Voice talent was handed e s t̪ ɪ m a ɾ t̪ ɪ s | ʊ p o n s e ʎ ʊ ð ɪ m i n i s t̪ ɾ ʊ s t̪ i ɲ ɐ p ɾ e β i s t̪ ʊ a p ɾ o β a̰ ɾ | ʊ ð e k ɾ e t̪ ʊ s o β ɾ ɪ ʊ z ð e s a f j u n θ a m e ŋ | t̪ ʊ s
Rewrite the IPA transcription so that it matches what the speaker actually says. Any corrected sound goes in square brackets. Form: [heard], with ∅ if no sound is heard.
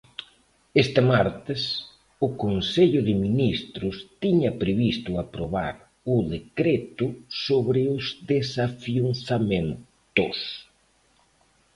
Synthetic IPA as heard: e s t̪ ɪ m a ɾ t̪ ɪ s | ʊ [k] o n s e ʎ ʊ ð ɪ m i n i s t̪ ɾ ʊ s t̪ i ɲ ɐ p ɾ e β i s t̪ ʊ a p ɾ o β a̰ ɾ | ʊ ð e k ɾ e t̪ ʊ s o β ɾ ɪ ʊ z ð e s a f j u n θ a m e [n] | t̪ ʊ s